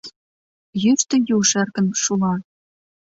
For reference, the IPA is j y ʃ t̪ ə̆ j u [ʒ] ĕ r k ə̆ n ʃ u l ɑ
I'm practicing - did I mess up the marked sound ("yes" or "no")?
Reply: yes